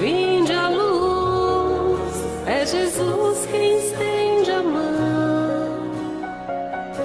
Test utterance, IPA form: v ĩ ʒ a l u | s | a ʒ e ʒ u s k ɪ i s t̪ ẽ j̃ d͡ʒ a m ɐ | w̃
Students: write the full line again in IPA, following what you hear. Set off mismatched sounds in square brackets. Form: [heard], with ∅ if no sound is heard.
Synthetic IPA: v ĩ [d͡ʒ] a l u | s | [ɛ] ʒ e [z] u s k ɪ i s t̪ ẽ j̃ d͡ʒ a m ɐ | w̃